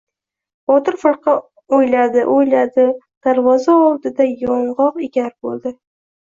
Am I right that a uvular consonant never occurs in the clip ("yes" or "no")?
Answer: no